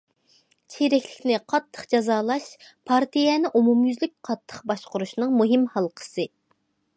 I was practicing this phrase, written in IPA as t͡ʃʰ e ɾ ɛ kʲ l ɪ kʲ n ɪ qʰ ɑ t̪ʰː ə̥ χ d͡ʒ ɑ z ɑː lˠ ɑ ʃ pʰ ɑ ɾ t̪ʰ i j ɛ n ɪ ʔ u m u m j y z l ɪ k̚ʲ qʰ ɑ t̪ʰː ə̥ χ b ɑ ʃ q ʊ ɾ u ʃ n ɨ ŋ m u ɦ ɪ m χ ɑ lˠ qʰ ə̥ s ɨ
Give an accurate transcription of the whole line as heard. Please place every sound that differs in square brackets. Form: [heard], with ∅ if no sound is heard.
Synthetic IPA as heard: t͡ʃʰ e ɾ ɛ kʲ l ɪ kʲ n ɪ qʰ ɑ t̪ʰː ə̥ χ d͡ʒ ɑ z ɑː lˠ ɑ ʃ pʰ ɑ ɾ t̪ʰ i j ɛ n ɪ ʔ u m u m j y z l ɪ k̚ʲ qʰ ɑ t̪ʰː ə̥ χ b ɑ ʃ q ʊ ɾ u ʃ n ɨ ŋ m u ɦ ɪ m [h] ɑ lˠ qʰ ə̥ s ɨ